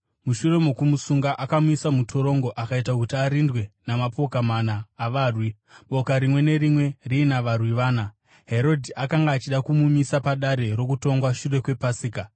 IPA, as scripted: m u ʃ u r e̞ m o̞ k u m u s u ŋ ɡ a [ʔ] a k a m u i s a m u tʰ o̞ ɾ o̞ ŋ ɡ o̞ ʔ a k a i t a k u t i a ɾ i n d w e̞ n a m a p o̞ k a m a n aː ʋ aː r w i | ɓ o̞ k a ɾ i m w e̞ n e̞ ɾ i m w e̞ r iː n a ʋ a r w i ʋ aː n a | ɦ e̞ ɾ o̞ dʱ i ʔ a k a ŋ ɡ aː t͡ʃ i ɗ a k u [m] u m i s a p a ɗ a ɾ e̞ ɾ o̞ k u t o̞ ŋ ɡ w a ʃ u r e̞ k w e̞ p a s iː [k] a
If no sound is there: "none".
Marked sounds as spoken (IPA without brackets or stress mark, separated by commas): ʔ, m, k